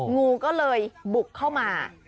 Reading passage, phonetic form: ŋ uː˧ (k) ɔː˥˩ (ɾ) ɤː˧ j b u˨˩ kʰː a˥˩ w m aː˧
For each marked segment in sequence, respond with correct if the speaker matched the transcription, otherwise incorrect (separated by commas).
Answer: correct, incorrect